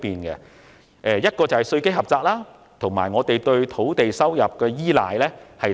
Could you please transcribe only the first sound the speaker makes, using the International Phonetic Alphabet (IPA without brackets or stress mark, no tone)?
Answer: p